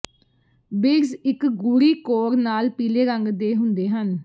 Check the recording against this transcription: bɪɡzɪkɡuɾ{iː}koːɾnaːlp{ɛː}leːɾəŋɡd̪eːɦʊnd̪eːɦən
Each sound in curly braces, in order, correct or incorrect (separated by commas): correct, incorrect